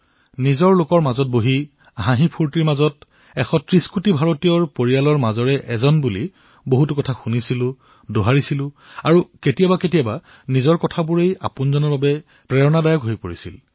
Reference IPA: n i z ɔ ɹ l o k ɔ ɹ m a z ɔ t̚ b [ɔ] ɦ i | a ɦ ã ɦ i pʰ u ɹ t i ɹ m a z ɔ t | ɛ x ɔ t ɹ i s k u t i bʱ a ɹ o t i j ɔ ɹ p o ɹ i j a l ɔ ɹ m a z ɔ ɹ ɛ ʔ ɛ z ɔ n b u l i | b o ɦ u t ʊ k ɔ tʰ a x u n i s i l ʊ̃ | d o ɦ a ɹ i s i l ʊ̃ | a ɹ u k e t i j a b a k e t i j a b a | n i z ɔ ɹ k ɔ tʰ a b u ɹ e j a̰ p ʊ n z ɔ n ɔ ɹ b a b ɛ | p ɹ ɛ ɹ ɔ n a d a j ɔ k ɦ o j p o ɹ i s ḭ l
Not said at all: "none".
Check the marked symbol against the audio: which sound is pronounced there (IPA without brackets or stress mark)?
o